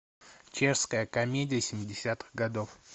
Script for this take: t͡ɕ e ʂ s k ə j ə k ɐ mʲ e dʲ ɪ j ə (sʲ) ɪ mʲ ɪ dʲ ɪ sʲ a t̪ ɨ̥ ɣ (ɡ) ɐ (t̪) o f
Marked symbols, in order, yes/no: yes, yes, no

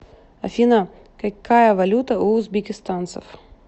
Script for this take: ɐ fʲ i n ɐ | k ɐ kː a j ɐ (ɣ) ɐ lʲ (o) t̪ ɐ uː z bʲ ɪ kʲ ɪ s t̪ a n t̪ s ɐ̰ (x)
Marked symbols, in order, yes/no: no, no, no

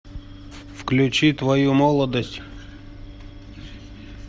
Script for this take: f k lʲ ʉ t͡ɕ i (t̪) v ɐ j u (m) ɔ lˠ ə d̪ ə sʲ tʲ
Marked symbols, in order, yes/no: yes, yes

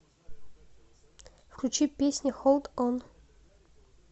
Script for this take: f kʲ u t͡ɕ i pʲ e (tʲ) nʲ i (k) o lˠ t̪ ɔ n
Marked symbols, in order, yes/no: no, no

